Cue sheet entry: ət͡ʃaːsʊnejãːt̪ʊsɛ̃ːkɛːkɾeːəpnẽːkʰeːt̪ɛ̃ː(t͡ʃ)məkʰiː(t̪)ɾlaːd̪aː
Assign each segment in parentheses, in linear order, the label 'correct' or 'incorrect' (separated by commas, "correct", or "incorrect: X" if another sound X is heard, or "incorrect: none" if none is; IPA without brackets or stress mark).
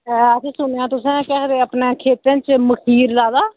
correct, incorrect: none